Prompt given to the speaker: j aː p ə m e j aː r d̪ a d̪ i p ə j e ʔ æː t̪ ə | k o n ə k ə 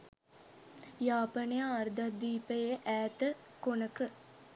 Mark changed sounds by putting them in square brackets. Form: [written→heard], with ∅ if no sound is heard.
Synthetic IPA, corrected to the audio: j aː p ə [m→n] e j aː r d̪ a d̪ [i→iː] p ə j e ʔ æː t̪ ə | k o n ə k ə